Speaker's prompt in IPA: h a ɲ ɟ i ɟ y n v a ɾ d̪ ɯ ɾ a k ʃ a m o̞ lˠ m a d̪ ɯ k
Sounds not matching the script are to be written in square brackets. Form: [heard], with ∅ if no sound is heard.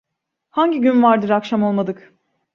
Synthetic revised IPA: h a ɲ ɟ i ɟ y n v a ɾ d̪ ɯ ɾ a k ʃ a m o̞ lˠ m a d̪ ɯ k

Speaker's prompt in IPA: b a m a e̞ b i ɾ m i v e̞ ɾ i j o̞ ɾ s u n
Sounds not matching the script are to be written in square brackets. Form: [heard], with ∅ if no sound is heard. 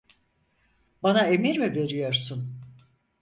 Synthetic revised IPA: b a [n] a e̞ [m] i ɾ m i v e̞ ɾ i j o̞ ɾ s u n

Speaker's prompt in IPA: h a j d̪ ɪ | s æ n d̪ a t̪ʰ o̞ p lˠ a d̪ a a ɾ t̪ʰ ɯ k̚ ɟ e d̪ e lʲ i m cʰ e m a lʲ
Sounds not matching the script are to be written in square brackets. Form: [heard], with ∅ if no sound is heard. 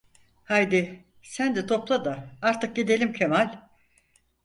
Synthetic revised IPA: h a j d̪ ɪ | s æ n d̪ [ɛ] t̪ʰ o̞ p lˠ a d̪ a a ɾ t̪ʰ ɯ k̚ ɟ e d̪ e lʲ i m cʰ e m a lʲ

